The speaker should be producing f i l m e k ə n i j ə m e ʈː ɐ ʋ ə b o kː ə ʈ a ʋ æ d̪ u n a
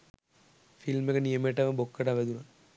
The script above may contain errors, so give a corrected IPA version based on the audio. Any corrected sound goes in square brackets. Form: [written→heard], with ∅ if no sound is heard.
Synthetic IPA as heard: f i l m e k ə n i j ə m e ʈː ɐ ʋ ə b o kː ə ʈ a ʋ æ d̪ u n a